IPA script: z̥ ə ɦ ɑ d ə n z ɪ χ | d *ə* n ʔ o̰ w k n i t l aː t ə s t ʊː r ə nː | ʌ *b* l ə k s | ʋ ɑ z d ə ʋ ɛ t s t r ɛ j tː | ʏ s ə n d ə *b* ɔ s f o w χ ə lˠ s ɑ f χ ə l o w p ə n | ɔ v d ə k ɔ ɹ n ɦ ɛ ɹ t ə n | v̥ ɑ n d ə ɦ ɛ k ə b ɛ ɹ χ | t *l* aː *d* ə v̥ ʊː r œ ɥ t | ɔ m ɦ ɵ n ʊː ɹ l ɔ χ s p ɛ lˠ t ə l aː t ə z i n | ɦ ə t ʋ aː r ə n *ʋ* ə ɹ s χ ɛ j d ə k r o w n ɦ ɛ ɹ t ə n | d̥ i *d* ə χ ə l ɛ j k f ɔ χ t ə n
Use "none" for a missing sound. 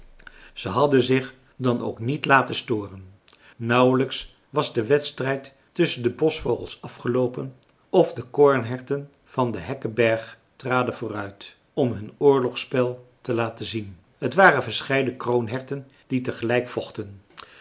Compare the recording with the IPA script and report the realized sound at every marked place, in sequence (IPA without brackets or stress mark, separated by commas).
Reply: ɑ, w, b, r, d, v, t